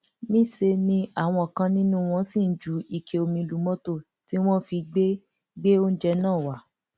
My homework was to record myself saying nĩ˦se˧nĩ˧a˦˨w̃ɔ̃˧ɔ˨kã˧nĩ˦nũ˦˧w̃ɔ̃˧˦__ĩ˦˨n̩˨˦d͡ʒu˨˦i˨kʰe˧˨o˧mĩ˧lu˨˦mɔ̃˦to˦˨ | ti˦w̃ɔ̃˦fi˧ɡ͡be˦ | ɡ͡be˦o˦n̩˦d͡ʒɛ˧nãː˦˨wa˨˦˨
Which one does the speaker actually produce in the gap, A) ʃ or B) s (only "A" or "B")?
B